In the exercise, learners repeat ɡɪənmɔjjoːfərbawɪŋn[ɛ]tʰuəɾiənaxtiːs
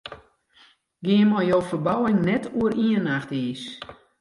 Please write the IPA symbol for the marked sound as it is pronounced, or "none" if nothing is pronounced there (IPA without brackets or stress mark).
ɛ